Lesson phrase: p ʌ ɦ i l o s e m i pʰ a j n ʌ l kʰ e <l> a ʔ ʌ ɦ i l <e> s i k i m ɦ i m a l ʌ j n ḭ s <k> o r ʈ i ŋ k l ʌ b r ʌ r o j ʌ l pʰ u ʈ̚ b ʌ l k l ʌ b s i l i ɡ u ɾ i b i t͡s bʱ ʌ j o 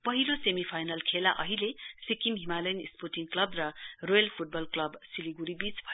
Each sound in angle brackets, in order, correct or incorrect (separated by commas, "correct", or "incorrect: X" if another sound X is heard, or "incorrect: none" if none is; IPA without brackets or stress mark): correct, correct, incorrect: p